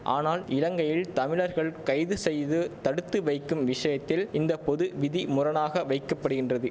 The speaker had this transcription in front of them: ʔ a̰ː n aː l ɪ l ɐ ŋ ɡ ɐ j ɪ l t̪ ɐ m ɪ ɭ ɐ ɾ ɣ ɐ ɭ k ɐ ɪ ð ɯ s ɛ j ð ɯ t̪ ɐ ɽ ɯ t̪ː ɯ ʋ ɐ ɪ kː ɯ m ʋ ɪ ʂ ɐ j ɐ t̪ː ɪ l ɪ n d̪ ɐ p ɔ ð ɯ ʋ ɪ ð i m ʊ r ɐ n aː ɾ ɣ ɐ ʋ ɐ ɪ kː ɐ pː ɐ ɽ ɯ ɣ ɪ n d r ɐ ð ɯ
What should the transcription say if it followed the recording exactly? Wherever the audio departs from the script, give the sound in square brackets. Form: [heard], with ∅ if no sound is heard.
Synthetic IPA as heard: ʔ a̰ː n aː l ɪ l ɐ ŋ ɡ ɐ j ɪ l t̪ ɐ m ɪ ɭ ɐ ɾ ɣ ɐ ɭ k ɐ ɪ ð ɯ s ɛ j ð ɯ t̪ ɐ ɽ ɯ t̪ː ɯ ʋ ɐ ɪ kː ɯ m ʋ ɪ ʂ ɐ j ɐ t̪ː ɪ l ɪ n d̪ ɐ p ɔ ð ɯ ʋ ɪ ð i m ʊ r ɐ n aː [∅] ɣ ɐ ʋ ɐ ɪ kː ɐ pː ɐ ɽ ɯ ɣ ɪ n d r ɐ ð ɯ